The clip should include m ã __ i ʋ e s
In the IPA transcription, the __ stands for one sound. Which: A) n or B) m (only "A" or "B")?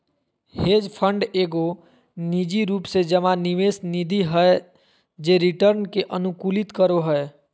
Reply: A